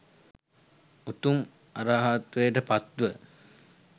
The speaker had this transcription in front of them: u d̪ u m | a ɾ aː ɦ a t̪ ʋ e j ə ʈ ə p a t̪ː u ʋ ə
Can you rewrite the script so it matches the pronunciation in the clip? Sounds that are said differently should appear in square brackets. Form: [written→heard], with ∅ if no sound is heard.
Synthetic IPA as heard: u [d̪→t̪] u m | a ɾ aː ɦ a t̪ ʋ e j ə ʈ ə p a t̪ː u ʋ ə